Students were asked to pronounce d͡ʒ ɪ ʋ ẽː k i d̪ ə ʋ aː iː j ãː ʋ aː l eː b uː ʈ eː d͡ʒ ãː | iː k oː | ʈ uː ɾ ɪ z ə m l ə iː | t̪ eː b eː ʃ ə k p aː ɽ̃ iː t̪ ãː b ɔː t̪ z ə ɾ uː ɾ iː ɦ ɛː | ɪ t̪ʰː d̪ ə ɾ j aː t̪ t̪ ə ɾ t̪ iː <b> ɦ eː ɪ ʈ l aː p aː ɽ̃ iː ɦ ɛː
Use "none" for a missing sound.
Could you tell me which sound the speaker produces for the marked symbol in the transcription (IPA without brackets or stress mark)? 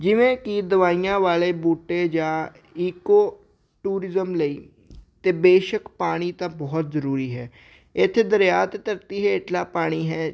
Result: none